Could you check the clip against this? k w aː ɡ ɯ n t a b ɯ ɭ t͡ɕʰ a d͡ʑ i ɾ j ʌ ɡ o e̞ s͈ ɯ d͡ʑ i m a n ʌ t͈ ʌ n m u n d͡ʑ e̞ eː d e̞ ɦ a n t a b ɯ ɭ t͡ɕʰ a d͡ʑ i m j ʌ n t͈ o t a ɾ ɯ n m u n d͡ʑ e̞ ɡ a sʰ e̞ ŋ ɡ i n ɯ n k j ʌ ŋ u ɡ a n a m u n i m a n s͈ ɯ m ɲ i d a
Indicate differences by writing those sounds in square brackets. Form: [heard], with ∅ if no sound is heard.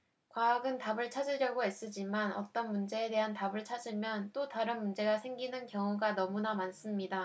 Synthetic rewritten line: k w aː ɡ ɯ n t a b ɯ ɭ t͡ɕʰ a d͡ʑ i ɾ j ʌ ɡ o e̞ s͈ ɯ d͡ʑ i m a n ʌ t͈ ʌ n m u n d͡ʑ e̞ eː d e̞ ɦ a n t a b ɯ ɭ t͡ɕʰ a d͡ʑ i m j ʌ n t͈ o t a ɾ ɯ n m u n d͡ʑ e̞ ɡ a sʰ e̞ ŋ ɡ i n ɯ n k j ʌ ŋ u ɡ a n [ʌ] m u n [a] m a n s͈ ɯ m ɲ i d a